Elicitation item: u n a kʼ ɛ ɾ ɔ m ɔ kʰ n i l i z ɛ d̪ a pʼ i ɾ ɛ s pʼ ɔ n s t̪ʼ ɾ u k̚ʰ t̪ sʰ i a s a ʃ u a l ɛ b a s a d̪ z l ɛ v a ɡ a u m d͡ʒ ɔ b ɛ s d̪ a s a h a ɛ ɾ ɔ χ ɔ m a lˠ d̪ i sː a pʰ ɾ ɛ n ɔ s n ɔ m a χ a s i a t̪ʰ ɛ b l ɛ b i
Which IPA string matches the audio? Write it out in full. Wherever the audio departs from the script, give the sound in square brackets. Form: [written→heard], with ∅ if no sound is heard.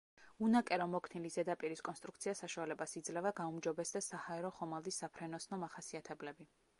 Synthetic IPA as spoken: u n a kʼ ɛ ɾ ɔ m ɔ kʰ n i l i z ɛ d̪ a pʼ i ɾ [ɛ→i] s [pʼ→kʼ] ɔ n s t̪ʼ ɾ u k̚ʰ t̪ sʰ i a s a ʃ u a l ɛ b a s [a→i] d̪ z l ɛ v a ɡ a u m d͡ʒ ɔ b ɛ s d̪ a s a h a ɛ ɾ ɔ χ ɔ m a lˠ d̪ i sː a pʰ ɾ ɛ n ɔ s n ɔ m a χ a s i a t̪ʰ ɛ b l ɛ b i